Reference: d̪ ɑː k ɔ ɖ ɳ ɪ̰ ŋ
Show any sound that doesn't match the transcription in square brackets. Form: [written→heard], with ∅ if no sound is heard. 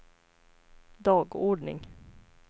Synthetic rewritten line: d̪ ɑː [k→ɡ] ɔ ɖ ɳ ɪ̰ ŋ